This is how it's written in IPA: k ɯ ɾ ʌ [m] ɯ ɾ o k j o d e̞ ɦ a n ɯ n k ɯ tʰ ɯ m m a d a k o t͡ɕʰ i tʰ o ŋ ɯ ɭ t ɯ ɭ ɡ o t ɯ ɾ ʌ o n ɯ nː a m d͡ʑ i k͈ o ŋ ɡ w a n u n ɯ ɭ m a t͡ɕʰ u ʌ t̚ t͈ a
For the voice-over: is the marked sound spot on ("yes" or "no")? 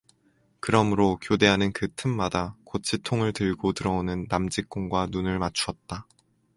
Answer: yes